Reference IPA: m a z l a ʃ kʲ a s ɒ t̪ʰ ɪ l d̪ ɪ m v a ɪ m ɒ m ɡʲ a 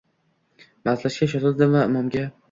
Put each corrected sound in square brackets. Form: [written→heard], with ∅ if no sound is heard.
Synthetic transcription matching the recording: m a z l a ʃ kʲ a [s→ʃ] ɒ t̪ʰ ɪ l d̪ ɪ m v a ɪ m ɒ m ɡʲ a